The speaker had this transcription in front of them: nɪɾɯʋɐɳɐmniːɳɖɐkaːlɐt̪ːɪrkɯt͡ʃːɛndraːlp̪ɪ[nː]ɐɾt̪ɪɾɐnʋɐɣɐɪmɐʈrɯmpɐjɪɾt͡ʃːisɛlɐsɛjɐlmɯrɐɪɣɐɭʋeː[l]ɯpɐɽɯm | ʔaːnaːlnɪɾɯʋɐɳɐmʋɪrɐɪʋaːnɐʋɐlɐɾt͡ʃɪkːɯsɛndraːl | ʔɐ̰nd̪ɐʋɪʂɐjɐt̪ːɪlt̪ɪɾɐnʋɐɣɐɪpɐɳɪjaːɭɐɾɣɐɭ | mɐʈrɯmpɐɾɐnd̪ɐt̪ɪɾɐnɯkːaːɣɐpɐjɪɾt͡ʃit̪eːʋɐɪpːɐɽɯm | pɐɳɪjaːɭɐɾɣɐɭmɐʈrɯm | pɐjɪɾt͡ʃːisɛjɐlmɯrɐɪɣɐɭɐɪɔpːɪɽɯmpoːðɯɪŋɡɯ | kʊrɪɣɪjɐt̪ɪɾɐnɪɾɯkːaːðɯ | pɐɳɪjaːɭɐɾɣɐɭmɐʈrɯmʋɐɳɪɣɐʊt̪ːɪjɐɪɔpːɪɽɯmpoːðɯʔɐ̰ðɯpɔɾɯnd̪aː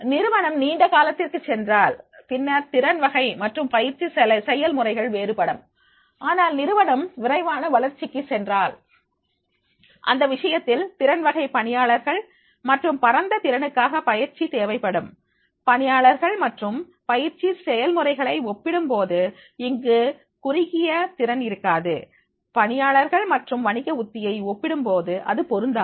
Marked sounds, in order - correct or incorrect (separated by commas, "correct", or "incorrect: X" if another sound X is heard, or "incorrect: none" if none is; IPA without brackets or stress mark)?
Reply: correct, incorrect: ɾ